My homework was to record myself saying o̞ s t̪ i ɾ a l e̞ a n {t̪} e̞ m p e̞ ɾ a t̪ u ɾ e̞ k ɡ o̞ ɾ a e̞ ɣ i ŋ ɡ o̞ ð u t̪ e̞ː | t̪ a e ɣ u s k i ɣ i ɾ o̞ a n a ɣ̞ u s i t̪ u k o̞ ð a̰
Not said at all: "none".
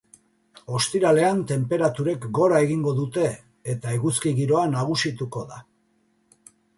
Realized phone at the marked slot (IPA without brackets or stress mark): t̪